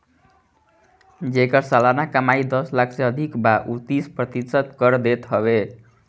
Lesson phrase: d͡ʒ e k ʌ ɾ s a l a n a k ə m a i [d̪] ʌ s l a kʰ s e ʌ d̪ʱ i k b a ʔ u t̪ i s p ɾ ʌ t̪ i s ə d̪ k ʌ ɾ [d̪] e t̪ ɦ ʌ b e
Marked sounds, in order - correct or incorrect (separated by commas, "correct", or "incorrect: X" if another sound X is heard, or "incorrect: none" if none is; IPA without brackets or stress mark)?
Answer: correct, correct